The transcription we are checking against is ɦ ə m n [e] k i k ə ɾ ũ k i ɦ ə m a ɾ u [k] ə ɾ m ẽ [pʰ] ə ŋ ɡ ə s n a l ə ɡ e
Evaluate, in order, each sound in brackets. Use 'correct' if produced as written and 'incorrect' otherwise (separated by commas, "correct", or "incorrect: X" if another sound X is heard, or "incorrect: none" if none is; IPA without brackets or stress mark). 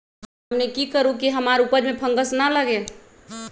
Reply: correct, incorrect: p, correct